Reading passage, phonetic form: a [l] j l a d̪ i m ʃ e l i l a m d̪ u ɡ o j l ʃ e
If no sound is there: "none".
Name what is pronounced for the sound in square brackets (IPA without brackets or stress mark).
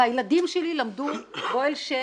none